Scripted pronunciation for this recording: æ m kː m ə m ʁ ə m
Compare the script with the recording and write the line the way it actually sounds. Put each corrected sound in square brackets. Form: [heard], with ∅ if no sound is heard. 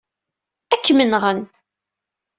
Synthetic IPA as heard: æ [∅] kː m ə [n] ʁ ə [n]